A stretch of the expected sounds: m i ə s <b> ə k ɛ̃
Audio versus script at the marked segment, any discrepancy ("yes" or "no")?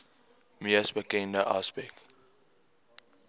no